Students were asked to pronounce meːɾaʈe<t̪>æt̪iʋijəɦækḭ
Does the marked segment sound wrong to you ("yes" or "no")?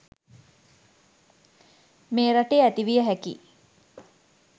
yes